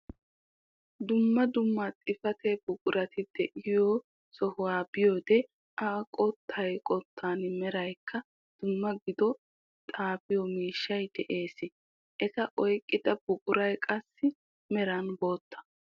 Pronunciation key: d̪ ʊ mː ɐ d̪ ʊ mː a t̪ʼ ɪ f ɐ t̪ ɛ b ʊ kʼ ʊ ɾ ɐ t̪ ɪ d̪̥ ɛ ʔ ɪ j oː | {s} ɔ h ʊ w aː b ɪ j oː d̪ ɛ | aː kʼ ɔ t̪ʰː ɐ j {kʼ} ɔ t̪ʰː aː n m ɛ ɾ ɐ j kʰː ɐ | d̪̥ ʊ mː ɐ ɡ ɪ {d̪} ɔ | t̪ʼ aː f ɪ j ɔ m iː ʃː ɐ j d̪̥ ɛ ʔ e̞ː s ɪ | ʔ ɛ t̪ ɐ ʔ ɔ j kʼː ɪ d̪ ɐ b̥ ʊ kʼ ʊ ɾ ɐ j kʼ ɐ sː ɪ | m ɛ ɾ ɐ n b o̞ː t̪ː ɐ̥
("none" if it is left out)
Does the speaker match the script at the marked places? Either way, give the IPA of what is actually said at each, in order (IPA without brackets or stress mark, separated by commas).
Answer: s, kʼ, d̪